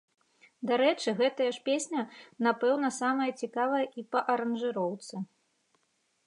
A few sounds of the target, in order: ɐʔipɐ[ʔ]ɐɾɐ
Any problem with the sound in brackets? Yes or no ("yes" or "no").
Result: no